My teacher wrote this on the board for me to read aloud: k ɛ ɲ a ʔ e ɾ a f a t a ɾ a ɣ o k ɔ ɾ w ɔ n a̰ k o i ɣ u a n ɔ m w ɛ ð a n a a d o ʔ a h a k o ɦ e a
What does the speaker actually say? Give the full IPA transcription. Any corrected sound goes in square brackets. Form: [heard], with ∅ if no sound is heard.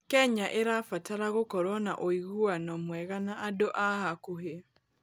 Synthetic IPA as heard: k ɛ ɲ a ʔ e ɾ a f a t a ɾ a ɣ o k ɔ ɾ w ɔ n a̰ [ʔ] o i ɣ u a n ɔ m w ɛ [ɣ] a n a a d o ʔ a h a k o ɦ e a